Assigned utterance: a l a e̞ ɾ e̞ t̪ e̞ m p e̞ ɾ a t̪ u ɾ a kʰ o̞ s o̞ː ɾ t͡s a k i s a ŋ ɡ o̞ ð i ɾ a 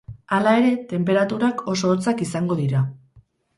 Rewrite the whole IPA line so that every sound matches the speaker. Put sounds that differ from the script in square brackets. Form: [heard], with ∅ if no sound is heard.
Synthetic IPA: a l a e̞ ɾ e̞ t̪ e̞ m p e̞ ɾ a t̪ u ɾ a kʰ o̞ s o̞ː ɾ t͡s a k i s a ŋ ɡ o̞ ð i ɾ a

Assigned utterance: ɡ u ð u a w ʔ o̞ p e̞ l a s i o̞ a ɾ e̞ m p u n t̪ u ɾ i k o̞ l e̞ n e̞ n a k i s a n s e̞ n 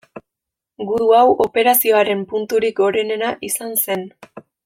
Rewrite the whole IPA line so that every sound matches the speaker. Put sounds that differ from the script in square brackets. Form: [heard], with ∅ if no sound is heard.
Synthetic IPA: ɡ u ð u a w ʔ o̞ p e̞ [ɾ] a s i o̞ a ɾ e̞ m p u n t̪ u ɾ i k o̞ [ɾ] e̞ n e̞ n a [ʔ] i s a n s e̞ n

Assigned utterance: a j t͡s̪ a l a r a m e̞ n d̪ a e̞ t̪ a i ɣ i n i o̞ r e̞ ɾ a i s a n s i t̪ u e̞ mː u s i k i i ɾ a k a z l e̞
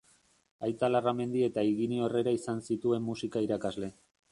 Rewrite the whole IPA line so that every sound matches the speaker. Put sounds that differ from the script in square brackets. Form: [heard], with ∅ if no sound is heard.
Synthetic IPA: a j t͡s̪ a l a r a m e̞ n d̪ [i] e̞ t̪ a i ɣ i n i o̞ r e̞ ɾ a i s a n s i t̪ u e̞ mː u s i k [a] i ɾ a k a z l e̞

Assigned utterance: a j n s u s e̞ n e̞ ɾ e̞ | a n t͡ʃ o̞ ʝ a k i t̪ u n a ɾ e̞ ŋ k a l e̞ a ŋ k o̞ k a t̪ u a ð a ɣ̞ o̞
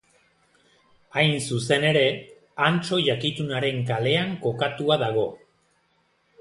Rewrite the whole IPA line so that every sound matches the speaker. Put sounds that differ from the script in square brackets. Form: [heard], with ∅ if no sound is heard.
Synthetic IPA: a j n s u s e̞ n e̞ ɾ e̞ | a n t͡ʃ o̞ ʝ a k i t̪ u n a ɾ e̞ ŋ k a l e̞ a ŋ k o̞ k a t̪ u a ð a ɣ̞ o̞

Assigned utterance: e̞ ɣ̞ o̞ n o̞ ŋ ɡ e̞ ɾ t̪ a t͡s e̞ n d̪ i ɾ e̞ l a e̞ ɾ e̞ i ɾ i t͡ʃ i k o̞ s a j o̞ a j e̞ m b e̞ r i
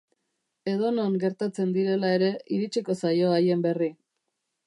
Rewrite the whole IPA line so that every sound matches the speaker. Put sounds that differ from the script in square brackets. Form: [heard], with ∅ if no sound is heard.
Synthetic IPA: e̞ [ð̞] o̞ n o̞ ŋ ɡ e̞ ɾ t̪ a t͡s e̞ n d̪ i ɾ e̞ l a e̞ ɾ e̞ i ɾ i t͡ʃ i k o̞ s a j o̞ a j e̞ m b e̞ r i

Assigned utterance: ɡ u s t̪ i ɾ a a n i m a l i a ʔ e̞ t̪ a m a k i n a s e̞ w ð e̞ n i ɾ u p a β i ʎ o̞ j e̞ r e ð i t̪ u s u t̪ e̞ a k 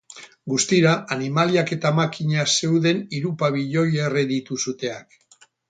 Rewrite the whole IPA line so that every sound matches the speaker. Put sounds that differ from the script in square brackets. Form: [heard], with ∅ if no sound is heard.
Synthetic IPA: ɡ u s t̪ i ɾ a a n i m a l i a [k] e̞ t̪ a m a k i [ɲ] a s e̞ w ð e̞ n i ɾ u p a β i ʎ o̞ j e̞ r e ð i t̪ u s u t̪ e̞ a k

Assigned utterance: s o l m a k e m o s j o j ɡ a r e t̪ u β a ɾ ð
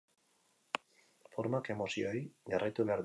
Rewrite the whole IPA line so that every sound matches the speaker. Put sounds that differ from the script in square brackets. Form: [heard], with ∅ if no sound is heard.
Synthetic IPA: [f] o [ɾ] m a k e m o s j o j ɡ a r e t̪ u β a ɾ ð

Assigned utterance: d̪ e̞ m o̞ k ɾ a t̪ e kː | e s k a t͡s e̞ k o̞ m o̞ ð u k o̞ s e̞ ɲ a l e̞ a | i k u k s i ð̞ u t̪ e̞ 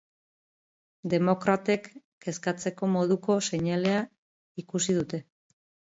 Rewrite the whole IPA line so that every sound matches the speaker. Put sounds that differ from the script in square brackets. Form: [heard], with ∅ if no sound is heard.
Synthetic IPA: d̪ e̞ m o̞ k ɾ a t̪ e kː | e s k a t͡s e̞ k o̞ m o̞ ð u k o̞ s e̞ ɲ a l e̞ a | i k u [∅] s i ð̞ u t̪ e̞

